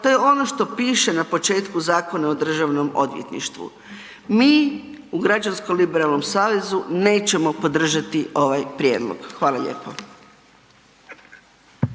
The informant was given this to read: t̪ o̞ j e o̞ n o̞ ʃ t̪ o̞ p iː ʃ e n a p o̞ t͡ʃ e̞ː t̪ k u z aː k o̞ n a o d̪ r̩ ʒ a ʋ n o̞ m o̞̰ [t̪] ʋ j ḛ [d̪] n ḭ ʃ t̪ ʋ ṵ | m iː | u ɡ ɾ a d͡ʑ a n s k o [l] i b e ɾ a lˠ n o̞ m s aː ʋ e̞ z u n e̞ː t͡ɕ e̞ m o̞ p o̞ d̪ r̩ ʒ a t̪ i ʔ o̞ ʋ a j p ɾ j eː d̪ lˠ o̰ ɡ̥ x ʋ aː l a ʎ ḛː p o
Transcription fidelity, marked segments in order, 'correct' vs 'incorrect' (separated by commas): incorrect, incorrect, correct